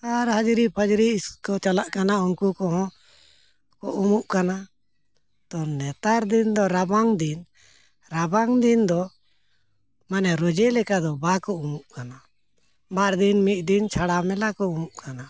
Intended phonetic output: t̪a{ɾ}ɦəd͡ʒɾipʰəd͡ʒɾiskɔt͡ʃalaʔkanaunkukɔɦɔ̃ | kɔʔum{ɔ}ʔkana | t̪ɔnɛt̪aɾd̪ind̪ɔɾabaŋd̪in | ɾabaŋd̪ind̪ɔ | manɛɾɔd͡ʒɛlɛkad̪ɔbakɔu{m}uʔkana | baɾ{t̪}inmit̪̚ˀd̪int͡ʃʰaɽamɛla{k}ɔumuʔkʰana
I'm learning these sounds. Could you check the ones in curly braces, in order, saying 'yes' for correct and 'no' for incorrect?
yes, no, yes, no, yes

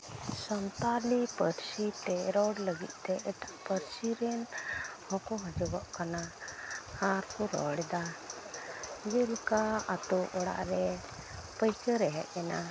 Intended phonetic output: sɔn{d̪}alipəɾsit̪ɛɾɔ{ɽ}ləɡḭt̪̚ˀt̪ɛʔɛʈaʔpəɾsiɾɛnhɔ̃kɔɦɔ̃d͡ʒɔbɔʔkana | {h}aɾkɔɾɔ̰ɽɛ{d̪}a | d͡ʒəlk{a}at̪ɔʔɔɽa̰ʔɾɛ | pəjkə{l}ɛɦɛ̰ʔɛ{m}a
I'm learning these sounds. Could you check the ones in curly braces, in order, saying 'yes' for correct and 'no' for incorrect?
no, yes, yes, yes, yes, no, no

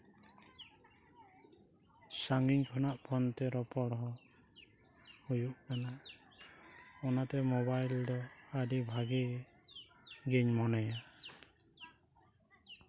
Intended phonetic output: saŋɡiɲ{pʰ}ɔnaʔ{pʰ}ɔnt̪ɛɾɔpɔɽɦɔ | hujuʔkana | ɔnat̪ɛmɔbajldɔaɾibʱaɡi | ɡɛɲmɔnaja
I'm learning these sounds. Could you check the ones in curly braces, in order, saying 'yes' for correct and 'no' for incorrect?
no, yes

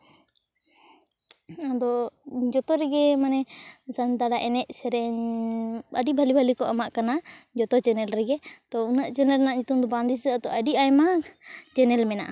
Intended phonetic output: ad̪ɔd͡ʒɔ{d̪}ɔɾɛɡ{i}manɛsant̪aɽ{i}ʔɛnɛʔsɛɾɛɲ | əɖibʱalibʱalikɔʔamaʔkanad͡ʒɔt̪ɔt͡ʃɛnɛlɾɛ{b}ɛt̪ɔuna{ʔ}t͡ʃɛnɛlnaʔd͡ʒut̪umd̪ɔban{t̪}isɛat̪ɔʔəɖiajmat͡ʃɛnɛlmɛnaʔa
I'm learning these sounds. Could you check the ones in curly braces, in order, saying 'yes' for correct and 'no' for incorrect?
no, no, no, no, yes, no

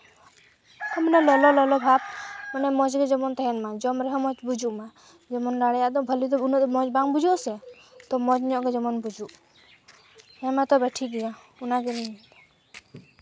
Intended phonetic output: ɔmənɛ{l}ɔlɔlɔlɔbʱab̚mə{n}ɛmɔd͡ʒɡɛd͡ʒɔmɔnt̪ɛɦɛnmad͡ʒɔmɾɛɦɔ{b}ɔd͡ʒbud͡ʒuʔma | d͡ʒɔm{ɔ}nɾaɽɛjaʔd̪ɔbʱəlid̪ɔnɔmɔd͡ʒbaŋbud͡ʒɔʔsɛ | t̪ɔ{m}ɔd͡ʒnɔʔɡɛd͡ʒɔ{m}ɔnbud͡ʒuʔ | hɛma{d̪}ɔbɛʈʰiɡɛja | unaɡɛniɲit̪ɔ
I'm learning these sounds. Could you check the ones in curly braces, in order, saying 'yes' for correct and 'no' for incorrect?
yes, yes, no, yes, yes, yes, no

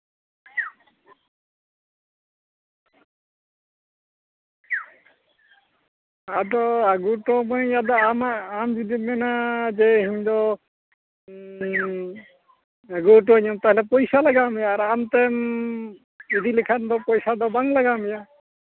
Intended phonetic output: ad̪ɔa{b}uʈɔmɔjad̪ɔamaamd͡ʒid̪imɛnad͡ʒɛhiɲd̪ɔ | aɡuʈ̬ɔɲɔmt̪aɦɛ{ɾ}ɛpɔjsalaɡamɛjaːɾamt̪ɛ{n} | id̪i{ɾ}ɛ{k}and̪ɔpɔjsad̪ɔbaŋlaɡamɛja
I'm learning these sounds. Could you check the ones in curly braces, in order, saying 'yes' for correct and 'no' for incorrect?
no, no, no, no, no

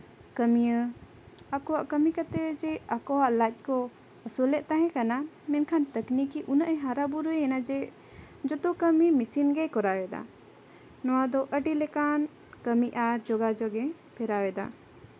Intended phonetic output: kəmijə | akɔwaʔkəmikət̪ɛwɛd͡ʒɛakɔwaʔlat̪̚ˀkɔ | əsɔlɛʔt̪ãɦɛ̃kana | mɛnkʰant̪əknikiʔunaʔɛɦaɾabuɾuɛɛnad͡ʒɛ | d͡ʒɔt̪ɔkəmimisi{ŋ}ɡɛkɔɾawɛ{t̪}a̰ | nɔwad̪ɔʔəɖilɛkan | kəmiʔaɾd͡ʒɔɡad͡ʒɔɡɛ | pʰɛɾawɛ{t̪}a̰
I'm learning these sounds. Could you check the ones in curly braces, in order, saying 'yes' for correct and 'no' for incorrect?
no, no, no

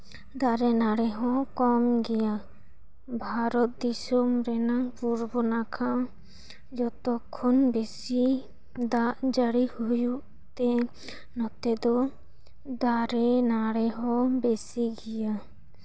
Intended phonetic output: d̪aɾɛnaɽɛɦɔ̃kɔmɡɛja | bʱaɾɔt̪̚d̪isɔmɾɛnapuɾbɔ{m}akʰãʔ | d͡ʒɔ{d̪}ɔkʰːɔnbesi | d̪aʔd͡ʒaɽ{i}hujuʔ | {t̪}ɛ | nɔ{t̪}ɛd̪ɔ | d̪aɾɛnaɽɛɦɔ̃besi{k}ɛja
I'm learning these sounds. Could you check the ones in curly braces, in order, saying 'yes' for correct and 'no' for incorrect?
no, no, yes, yes, yes, no

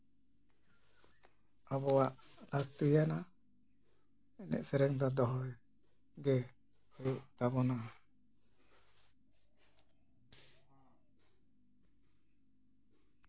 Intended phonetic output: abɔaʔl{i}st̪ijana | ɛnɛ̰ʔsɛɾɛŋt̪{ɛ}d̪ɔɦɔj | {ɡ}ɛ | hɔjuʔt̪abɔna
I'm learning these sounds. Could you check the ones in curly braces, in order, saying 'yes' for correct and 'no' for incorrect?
no, no, yes

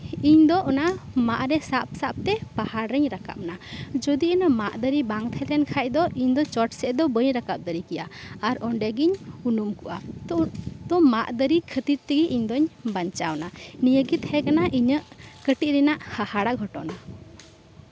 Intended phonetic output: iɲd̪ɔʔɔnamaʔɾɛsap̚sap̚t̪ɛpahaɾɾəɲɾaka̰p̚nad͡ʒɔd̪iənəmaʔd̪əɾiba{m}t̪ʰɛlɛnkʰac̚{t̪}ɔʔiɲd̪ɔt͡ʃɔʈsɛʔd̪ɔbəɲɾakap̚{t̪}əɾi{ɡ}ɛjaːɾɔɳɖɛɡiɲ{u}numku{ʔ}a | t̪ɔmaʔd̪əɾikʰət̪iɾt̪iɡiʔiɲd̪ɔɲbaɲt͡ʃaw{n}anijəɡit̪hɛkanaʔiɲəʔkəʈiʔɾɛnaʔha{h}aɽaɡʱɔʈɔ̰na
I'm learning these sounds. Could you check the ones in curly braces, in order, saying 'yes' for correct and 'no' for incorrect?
no, no, no, no, yes, yes, yes, yes

